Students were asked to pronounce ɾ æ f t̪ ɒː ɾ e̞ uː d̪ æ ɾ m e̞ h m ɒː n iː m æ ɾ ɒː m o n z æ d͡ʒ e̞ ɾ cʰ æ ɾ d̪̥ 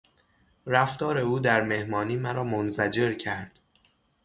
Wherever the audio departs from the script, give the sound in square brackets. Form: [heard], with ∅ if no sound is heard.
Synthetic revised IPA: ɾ æ f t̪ ɒː ɾ e̞ uː d̪ æ ɾ m e̞ h m ɒː n iː m æ ɾ ɒː m o n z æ d͡ʒ e̞ ɾ cʰ æ ɾ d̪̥